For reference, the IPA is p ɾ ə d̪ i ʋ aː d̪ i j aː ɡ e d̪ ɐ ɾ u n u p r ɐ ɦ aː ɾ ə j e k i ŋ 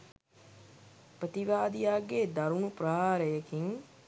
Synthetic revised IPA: p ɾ ə t̪ i ʋ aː d̪ i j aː ɡ e d̪ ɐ ɾ u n u p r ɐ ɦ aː ɾ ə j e k i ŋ